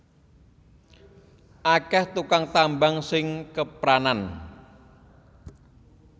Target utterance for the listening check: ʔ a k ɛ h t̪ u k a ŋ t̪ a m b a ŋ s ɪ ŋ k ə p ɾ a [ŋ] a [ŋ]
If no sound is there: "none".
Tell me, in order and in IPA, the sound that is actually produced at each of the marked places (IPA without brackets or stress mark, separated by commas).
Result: n, n